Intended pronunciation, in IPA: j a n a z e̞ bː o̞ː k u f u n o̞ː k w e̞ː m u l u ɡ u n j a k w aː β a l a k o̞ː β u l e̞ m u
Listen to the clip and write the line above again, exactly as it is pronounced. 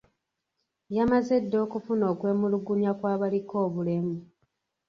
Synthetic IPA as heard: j a m a z e̞ dː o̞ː k u f u n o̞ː k w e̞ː m u l u ɡ u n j a k w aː β a l i k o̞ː β u l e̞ m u